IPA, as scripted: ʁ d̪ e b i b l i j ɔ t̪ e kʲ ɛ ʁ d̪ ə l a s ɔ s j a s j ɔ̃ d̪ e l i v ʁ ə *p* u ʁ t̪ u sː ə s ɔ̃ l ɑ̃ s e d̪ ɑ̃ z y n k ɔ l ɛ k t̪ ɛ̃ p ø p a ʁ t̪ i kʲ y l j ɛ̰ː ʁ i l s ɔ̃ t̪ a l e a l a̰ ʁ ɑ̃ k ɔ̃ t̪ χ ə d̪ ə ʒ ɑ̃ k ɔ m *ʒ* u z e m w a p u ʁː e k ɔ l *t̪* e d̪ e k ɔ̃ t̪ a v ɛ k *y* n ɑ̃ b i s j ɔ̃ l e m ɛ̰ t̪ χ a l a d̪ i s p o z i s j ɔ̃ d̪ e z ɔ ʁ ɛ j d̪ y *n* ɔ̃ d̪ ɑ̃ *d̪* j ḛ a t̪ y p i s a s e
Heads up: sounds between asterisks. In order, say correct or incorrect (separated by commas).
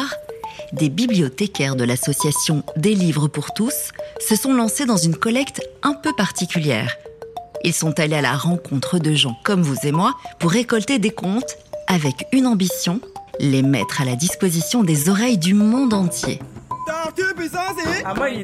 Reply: correct, incorrect, correct, correct, incorrect, incorrect